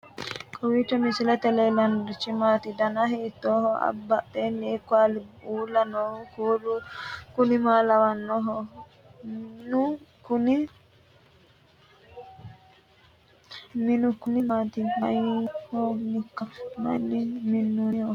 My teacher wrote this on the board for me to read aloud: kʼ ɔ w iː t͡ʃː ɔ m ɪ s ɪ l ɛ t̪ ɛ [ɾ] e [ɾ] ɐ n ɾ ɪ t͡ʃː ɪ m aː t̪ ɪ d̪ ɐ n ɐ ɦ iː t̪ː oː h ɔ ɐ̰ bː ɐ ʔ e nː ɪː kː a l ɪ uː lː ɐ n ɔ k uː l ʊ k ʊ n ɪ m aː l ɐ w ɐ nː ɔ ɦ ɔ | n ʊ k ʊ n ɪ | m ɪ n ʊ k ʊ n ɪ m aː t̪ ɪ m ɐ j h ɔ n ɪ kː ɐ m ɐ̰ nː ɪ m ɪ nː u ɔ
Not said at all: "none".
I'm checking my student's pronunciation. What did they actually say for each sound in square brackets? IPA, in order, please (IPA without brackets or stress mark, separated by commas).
l, l